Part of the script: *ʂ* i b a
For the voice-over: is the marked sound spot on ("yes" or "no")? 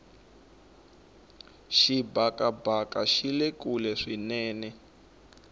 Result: no